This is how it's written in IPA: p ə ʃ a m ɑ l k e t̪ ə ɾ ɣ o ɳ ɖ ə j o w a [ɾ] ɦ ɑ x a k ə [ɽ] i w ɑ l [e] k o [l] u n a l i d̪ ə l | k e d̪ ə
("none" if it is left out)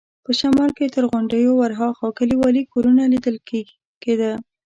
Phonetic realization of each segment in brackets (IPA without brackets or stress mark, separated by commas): ɾ, l, i, ɾ